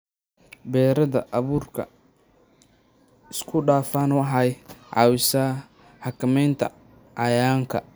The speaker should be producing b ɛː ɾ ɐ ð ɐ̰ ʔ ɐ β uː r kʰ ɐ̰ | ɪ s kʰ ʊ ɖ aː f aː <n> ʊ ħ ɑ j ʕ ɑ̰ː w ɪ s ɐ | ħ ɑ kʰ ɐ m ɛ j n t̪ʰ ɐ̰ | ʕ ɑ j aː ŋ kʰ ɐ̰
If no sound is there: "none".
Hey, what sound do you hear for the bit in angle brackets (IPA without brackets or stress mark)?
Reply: n